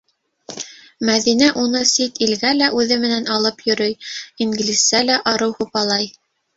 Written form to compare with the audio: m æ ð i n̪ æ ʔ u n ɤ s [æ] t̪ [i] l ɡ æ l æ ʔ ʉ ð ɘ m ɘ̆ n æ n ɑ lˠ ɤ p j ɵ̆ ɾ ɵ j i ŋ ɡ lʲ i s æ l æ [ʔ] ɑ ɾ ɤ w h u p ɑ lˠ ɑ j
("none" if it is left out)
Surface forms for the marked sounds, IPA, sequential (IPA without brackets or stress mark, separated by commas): i, i, ʔ